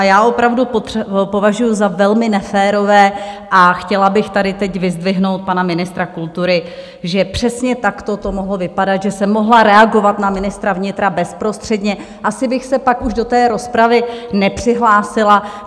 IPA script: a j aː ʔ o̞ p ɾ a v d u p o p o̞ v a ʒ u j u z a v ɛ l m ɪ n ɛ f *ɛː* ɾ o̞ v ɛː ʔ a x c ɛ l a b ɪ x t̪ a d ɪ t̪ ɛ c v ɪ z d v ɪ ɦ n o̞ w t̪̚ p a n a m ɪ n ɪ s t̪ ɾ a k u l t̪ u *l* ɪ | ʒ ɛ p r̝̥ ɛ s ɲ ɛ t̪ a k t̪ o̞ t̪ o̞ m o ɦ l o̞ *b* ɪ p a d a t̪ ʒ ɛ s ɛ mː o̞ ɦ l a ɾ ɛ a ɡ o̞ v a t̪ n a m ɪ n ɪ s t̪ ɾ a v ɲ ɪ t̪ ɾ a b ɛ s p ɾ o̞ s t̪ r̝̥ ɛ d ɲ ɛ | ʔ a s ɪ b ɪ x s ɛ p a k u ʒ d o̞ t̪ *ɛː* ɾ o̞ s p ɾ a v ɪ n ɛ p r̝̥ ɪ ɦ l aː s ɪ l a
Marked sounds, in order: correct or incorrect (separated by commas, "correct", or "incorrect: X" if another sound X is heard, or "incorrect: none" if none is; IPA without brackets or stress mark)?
correct, incorrect: ɾ, incorrect: v, correct